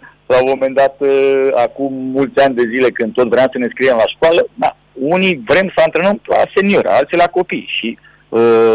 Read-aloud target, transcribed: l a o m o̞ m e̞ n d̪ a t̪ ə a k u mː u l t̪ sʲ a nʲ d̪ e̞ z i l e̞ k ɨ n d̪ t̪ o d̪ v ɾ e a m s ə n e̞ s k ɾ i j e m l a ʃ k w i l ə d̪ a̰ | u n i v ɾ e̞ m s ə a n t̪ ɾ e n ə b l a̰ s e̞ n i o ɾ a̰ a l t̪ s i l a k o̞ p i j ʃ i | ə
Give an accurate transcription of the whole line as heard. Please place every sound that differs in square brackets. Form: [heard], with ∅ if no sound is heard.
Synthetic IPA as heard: l a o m o̞ m e̞ n d̪ a t̪ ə a k u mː u l t̪ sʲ a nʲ d̪ e̞ z i l e̞ k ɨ n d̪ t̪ o [t̪] v ɾ e a m s ə n e̞ s k ɾ i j e m l a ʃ k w [a] l ə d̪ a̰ | u n i v ɾ e̞ m s ə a n t̪ ɾ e n ə [m] l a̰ s e̞ n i o ɾ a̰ a l t̪ s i l a k o̞ p i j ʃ i | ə